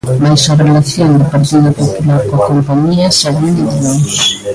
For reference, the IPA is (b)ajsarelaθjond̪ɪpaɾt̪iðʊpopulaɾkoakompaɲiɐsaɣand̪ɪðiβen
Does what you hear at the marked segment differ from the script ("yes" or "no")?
yes